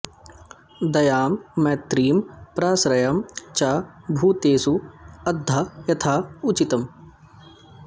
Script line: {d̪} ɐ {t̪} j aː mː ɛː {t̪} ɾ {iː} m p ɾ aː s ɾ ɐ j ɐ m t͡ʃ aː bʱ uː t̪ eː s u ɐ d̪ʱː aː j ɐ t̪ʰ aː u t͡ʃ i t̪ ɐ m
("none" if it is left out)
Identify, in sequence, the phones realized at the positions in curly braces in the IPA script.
d̪, none, t̪, iː

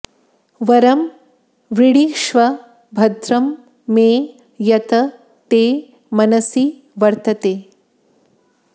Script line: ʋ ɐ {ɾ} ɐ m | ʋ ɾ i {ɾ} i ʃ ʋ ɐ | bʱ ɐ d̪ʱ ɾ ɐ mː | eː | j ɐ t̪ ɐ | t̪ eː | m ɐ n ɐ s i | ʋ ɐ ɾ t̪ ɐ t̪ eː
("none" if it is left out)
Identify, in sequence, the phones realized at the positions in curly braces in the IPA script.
ɾ, ɽ

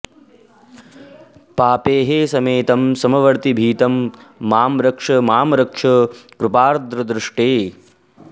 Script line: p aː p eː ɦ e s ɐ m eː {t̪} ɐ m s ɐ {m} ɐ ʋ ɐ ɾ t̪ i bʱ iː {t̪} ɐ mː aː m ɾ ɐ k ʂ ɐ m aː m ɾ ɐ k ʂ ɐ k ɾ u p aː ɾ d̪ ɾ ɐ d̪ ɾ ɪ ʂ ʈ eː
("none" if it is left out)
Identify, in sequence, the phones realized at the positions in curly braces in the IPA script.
t̪, m, t̪

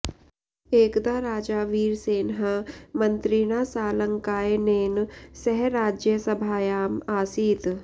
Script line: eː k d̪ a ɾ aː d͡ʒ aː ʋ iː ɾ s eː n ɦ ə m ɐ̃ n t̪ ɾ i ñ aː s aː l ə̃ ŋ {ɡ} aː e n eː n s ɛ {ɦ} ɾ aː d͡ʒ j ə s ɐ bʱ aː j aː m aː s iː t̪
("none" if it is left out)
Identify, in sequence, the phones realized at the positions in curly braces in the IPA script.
k, ɦ

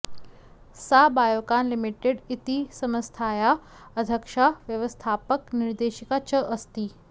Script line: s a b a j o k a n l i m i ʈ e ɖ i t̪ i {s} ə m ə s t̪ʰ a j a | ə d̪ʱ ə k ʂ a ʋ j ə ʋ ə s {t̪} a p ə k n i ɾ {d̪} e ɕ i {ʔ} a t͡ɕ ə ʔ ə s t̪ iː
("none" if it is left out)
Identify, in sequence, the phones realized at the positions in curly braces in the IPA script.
s, t̪ʰ, d̪, k

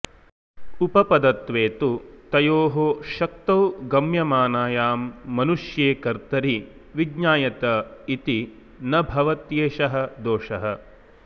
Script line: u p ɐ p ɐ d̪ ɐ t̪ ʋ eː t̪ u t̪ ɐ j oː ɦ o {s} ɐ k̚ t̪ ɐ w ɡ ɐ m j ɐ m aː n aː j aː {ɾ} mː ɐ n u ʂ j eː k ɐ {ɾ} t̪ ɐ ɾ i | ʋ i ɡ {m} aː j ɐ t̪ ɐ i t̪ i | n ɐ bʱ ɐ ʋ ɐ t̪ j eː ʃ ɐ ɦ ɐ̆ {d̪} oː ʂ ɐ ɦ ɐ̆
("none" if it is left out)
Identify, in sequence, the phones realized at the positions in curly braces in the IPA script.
ʃ, none, ɾ, ɲ, d̪

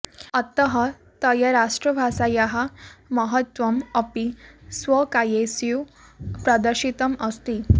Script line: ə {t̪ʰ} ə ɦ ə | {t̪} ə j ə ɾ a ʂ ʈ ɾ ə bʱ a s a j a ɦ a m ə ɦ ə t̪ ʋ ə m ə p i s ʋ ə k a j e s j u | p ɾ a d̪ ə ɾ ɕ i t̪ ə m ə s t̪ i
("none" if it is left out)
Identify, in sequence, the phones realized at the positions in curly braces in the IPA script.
t̪, t̪

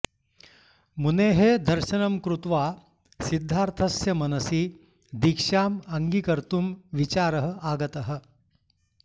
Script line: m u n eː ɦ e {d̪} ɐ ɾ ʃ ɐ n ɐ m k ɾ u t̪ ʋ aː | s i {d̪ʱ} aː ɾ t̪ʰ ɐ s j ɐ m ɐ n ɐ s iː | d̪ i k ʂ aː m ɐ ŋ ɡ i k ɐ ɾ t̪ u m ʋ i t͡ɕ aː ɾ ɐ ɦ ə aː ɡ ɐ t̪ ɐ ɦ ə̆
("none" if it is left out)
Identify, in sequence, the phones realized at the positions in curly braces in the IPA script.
d̪, d̪ʱː

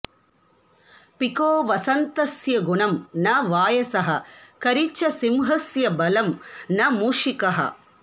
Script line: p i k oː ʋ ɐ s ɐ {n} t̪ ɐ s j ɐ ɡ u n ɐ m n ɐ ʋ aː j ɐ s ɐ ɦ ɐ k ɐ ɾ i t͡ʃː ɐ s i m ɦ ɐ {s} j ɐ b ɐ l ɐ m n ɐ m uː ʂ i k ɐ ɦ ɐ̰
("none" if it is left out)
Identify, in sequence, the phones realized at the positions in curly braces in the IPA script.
n, s

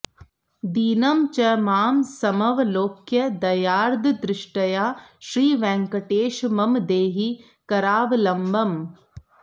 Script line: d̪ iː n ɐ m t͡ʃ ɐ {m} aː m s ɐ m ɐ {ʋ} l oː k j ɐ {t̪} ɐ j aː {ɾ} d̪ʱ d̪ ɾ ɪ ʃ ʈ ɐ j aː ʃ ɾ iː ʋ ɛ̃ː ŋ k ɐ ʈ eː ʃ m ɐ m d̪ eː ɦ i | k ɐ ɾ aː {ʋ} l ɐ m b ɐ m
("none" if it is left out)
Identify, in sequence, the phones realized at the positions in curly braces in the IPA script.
m, ʋ, d̪, ɾ, ʋ

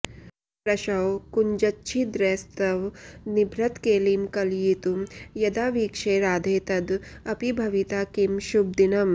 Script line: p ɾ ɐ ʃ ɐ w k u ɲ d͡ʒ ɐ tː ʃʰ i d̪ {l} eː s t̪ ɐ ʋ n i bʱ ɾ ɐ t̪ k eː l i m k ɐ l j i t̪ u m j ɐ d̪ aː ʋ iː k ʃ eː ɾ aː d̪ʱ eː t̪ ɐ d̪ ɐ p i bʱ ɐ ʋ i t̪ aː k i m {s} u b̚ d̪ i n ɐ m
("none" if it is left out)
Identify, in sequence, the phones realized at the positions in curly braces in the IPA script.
ɾ, ʃ

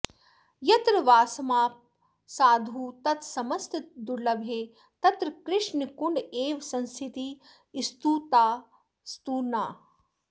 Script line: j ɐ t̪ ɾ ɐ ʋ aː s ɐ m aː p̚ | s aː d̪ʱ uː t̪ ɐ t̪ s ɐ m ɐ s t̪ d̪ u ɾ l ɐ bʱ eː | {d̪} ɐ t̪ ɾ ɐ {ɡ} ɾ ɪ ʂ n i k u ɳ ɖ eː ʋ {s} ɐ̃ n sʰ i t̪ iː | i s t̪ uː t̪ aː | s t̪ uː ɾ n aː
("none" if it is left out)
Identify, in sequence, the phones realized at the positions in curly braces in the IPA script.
t̪, k, s

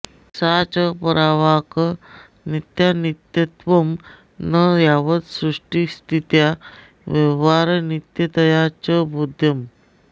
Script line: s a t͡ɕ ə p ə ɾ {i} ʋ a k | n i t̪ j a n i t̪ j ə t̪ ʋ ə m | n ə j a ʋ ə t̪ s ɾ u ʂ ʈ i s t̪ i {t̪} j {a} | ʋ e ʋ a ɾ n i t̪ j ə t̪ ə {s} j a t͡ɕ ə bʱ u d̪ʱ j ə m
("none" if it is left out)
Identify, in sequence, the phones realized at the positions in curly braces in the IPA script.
a, t̪, a, none

